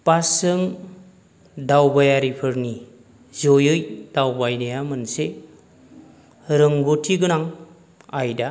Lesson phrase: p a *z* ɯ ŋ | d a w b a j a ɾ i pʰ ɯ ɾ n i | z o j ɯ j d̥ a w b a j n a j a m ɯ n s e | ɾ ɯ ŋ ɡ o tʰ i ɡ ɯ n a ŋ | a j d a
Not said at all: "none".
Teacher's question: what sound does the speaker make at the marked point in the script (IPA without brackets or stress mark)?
s